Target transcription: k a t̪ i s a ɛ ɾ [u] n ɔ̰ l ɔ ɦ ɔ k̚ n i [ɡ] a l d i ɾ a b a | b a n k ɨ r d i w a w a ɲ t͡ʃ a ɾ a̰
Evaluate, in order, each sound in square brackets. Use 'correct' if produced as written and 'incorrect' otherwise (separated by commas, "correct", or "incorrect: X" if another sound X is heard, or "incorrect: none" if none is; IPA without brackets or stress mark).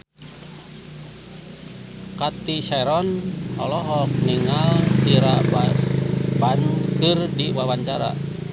incorrect: ɔ, incorrect: ŋ